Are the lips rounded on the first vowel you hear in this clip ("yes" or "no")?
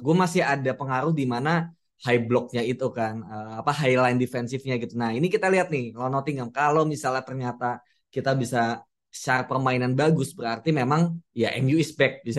yes